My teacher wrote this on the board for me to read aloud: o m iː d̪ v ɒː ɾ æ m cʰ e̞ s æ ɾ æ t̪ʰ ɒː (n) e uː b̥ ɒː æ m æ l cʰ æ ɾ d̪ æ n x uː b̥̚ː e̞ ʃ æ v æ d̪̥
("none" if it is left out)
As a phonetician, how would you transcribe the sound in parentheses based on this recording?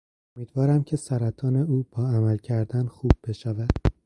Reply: n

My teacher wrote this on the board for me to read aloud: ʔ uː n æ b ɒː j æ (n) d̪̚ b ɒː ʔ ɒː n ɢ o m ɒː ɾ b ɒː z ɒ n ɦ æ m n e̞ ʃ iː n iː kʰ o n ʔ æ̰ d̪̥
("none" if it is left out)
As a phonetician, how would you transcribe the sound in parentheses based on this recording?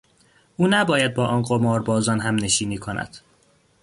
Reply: none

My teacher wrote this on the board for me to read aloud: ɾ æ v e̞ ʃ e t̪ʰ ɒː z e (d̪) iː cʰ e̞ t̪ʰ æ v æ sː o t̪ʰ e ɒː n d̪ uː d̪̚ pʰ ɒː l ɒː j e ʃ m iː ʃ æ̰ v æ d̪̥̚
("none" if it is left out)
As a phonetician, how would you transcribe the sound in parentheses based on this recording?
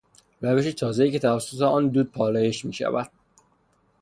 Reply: none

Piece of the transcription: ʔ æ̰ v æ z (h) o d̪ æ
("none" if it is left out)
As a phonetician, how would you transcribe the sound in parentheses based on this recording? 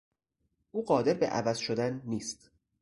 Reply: ʃ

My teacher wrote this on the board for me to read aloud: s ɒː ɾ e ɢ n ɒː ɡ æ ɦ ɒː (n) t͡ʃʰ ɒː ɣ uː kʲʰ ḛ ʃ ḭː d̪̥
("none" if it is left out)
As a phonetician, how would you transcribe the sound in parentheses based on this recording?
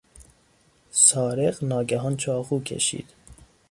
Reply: n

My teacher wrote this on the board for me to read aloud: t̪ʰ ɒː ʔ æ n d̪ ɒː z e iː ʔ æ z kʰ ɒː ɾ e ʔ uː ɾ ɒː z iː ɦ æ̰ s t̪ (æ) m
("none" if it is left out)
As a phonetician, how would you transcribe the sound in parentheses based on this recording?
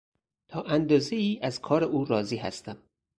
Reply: æ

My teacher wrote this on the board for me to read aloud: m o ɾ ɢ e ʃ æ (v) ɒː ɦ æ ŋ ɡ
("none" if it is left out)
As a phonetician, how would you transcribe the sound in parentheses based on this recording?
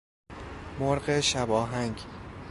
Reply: b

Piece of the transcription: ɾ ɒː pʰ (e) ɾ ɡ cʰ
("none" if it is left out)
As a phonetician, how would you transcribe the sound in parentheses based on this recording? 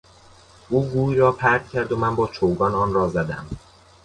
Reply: æ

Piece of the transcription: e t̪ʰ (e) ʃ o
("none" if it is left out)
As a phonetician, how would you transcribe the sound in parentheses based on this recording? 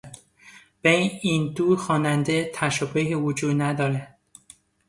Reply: æ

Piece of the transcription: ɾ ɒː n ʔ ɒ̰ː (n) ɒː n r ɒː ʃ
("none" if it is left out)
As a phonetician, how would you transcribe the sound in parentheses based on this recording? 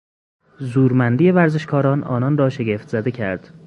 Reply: n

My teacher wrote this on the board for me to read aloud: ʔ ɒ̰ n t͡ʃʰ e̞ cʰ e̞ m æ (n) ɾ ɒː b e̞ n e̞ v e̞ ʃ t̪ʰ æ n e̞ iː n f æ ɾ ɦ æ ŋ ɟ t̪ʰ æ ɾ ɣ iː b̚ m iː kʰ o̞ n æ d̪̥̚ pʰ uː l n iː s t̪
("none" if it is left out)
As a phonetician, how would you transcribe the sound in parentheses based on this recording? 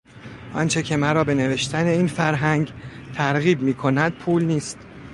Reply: none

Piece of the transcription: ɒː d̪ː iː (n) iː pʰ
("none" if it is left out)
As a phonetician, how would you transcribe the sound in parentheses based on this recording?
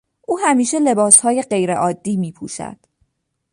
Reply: m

